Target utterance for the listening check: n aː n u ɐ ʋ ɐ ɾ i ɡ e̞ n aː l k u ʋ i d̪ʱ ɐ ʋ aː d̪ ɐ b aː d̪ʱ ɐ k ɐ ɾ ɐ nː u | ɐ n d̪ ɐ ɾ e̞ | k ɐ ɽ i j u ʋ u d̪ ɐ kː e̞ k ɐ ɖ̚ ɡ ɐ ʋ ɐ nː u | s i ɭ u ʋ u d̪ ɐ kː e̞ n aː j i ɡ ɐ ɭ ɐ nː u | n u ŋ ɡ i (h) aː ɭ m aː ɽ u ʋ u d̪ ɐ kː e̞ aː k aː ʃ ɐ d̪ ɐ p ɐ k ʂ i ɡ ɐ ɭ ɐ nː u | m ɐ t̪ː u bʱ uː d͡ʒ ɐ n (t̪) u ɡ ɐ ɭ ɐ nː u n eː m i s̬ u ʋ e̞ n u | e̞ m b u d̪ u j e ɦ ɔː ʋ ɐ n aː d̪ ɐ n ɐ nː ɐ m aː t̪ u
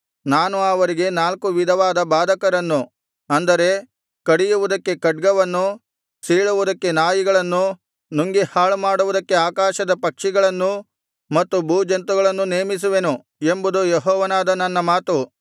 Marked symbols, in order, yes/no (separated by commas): yes, yes